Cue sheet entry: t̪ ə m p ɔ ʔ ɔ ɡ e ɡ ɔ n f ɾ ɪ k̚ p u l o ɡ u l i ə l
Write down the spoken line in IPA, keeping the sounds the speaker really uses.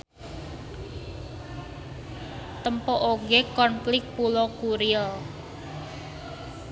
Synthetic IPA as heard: t̪ ə m p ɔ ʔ o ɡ e k ɔ n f l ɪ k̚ p u l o k u ɾ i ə l